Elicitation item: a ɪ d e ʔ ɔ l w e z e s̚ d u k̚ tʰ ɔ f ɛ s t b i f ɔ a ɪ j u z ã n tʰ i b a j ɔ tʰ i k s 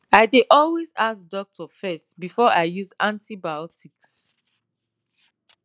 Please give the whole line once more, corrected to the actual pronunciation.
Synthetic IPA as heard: a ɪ d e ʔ ɔ l w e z a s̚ d ɔ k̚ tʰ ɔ f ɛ s t b i f ɔ a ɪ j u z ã n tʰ i b a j ɔ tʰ i k s